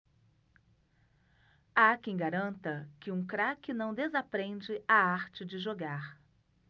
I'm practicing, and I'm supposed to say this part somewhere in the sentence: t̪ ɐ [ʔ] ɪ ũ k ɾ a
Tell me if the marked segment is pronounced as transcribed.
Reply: no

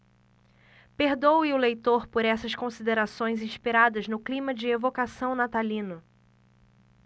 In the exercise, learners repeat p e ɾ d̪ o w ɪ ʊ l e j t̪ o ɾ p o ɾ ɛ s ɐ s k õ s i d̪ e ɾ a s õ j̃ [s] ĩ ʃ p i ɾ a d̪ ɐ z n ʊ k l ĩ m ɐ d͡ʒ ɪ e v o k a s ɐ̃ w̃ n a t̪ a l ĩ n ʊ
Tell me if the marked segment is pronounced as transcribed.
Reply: no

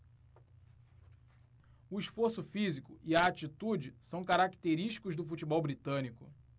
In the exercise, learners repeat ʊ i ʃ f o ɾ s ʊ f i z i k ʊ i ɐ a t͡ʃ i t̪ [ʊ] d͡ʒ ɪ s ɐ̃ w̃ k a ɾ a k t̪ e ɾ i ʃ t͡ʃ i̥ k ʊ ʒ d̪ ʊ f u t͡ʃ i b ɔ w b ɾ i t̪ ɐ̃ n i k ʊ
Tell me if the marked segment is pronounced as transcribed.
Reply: no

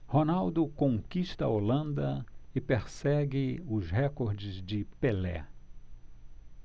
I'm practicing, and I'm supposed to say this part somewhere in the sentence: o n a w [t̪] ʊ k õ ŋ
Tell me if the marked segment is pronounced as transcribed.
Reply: no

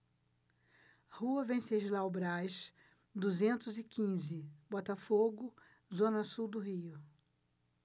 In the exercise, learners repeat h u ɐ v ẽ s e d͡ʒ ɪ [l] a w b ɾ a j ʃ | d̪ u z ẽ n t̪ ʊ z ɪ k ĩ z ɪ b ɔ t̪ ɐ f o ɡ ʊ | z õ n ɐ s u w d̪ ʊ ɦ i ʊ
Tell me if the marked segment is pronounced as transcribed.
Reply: yes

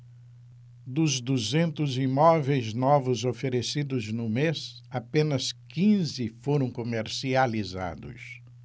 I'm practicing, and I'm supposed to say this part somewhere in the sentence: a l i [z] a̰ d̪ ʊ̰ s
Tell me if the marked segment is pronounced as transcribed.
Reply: yes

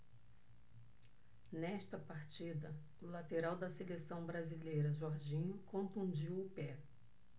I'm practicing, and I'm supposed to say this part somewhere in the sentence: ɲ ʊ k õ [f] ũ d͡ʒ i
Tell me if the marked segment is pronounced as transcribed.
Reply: yes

